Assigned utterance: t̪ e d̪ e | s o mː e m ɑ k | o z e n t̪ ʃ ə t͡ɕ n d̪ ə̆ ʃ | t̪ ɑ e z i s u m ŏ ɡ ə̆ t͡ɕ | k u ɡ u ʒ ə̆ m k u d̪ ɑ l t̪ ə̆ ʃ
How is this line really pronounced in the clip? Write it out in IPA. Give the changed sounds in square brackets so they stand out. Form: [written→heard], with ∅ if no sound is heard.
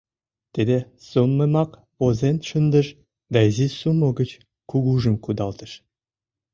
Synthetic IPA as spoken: t̪ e d̪ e | s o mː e m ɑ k | o z e n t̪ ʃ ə [t͡ɕ→∅] n d̪ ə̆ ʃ | [t̪→d̪] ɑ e z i s u m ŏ ɡ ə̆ t͡ɕ | k u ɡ u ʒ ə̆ m k u d̪ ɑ l t̪ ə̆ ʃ

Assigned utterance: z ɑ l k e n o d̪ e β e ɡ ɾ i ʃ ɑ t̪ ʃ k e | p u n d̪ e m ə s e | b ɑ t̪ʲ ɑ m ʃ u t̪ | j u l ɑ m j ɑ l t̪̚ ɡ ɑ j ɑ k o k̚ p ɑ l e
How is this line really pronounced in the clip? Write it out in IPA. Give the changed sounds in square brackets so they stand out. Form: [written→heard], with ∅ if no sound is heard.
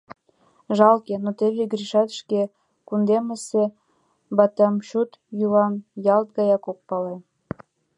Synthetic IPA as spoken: [z→ʒ] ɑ l k e n o [d̪→t̪] e β e ɡ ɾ i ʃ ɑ t̪ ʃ k e | [p→k] u n d̪ e m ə s e | b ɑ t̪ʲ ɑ m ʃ u t̪ | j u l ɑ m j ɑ l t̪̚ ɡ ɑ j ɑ k o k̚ p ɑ l e

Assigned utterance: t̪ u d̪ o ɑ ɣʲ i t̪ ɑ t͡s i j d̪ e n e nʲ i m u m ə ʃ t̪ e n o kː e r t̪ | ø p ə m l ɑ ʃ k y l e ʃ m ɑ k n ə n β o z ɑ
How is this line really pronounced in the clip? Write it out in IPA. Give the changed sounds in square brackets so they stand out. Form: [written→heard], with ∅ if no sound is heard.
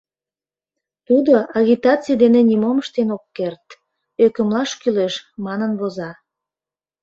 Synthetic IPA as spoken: t̪ u d̪ o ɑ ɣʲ i t̪ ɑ t͡s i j d̪ e n e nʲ i m [u→o] m ə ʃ t̪ e n o kː e r t̪ | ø [p→k] ə m l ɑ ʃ k y l e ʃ m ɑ [k→∅] n ə n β o z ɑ

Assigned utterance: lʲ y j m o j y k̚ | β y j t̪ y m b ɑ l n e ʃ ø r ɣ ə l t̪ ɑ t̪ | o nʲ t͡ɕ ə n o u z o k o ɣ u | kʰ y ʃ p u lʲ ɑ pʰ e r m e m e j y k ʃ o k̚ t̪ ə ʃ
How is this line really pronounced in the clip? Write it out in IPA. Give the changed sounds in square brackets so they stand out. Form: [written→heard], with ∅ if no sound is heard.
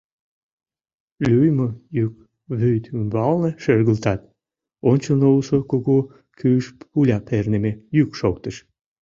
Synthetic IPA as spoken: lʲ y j m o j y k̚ | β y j t̪ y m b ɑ l n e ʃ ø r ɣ ə l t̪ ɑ t̪ | o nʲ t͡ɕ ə n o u [z→s] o k o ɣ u | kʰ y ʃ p u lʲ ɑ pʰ e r [m→n] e m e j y k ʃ o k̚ t̪ ə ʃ

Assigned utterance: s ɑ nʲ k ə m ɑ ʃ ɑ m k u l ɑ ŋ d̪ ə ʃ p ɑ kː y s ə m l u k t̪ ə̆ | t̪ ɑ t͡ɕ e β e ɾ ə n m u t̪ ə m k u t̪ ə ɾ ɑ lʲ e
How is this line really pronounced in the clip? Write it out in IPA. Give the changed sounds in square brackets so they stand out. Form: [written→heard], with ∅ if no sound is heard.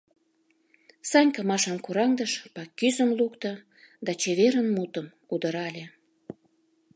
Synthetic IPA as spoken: s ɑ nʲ k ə m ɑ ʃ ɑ m k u [l→ɾ] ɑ ŋ d̪ ə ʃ p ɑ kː y [s→z] ə m l u k t̪ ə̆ | [t̪→d̪] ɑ t͡ɕ e β e ɾ ə n m u t̪ ə m k u [t̪→d̪] ə ɾ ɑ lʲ e

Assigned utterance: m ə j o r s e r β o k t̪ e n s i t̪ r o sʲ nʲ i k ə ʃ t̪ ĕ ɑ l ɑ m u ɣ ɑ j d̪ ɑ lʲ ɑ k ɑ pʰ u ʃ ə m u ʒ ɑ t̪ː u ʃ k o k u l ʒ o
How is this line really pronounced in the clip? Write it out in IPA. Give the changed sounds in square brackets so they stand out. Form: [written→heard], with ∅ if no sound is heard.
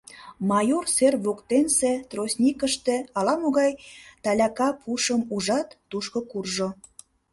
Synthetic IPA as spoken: m [ə→ɑ] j o r s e r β o k t̪ e n s [i→e] t̪ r o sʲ nʲ i k ə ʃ t̪ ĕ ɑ l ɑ m [u→o] ɣ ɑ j [d̪→t̪] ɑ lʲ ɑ k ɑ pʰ u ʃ ə m u ʒ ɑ t̪ː u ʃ k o k u [l→r] ʒ o

